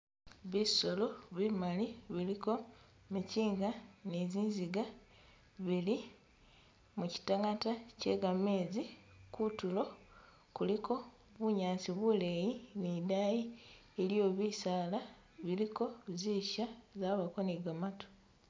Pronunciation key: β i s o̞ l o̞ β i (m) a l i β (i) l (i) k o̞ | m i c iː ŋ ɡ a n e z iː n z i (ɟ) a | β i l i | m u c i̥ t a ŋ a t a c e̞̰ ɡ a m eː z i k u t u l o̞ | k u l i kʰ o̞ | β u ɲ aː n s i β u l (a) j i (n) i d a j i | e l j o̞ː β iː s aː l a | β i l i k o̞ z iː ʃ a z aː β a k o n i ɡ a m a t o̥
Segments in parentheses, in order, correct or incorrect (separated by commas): correct, correct, correct, incorrect, incorrect, correct